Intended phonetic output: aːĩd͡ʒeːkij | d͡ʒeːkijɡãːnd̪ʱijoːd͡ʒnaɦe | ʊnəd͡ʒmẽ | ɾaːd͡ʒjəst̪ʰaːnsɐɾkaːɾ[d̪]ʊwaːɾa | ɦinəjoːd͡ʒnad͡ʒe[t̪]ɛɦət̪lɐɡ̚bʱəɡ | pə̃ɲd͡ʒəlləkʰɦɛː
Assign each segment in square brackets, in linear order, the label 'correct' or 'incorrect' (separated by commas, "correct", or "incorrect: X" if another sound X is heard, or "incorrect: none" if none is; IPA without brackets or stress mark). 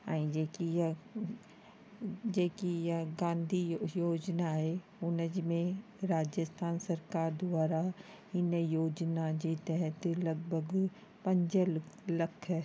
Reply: correct, correct